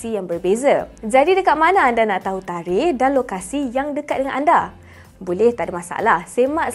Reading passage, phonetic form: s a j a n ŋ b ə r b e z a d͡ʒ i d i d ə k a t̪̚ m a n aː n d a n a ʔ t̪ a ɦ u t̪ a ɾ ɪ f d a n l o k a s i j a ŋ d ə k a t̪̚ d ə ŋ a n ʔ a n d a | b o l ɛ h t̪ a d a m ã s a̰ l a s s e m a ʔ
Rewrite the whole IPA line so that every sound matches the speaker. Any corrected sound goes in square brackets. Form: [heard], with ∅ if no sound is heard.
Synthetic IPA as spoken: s [i] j a [∅] ŋ b ə r b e z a d͡ʒ [a] d i d ə k a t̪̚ m a n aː n d a n a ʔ t̪ a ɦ u t̪ a ɾ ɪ [h] d a n l o k a s i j a ŋ d ə k a t̪̚ d ə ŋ a n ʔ a n d a | b o l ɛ h t̪ a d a m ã s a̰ l a [h] s e m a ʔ